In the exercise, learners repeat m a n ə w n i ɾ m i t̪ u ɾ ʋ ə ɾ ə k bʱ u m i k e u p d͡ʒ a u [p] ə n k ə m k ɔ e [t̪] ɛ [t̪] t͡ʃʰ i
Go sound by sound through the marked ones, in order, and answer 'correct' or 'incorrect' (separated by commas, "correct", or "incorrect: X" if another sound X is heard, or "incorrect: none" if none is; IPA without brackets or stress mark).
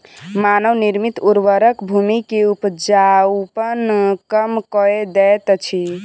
correct, incorrect: d̪, correct